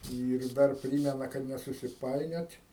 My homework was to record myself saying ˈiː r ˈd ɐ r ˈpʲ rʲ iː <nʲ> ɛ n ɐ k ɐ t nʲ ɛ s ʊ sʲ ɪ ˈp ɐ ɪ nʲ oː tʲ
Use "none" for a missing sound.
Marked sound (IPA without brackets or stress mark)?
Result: mʲ